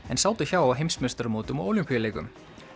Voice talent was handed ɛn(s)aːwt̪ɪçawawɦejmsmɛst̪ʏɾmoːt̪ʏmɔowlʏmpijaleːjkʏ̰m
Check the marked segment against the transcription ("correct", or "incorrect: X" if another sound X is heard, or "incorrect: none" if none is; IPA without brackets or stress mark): correct